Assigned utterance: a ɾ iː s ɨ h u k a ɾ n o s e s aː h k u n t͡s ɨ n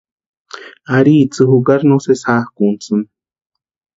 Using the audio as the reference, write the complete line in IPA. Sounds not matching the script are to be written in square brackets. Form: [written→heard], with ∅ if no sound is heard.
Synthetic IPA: a ɾ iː [s→t͡s] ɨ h u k a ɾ n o s e s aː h k u n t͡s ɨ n

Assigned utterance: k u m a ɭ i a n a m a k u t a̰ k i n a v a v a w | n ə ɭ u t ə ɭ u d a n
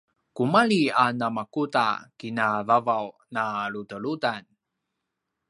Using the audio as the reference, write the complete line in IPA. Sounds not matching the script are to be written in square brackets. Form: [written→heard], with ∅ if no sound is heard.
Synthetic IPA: k u m a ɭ i a n a m a k u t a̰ k i n a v a v a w | n [ə→a] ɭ u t ə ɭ u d a n

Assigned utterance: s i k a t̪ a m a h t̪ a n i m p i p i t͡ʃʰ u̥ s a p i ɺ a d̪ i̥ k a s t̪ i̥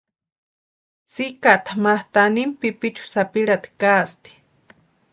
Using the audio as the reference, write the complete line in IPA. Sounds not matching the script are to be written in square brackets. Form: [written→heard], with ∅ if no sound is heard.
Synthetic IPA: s i k a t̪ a m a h t̪ a n i m p i p i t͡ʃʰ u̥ s a p i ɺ a [d̪→t̪] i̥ k a s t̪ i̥

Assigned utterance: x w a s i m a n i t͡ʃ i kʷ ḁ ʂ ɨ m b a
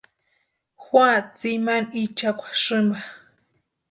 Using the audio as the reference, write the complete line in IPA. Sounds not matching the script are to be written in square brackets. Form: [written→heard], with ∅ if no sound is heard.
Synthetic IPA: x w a [s→t͡s] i m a n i t͡ʃ [i→a] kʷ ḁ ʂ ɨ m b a

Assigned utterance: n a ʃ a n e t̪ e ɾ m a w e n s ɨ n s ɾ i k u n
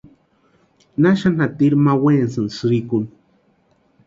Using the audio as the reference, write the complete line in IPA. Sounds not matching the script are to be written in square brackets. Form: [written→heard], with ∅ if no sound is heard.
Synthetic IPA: n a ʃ a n [e→a] t̪ [e→i] ɾ m a w e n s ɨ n s ɾ i k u n

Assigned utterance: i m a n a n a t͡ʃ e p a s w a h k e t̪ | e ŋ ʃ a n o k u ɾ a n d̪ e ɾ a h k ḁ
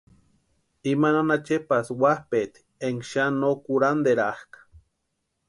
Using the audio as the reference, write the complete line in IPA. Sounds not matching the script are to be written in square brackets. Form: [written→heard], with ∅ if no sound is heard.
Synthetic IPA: i m a n a n a t͡ʃ e p a s w a h [k→p] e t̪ | e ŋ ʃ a n o k u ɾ a n d̪ e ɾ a h k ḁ

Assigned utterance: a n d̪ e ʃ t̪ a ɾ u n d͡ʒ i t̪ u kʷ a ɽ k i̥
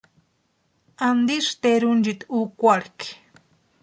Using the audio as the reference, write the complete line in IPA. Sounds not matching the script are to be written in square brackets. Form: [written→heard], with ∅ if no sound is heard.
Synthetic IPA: a n d̪ [e→i] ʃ t̪ [a→e] ɾ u n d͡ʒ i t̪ u kʷ a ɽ k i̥

